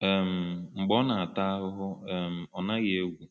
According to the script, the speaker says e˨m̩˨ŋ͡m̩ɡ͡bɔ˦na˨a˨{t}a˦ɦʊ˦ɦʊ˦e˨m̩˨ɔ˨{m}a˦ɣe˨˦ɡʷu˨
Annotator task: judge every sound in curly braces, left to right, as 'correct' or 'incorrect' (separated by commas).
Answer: correct, incorrect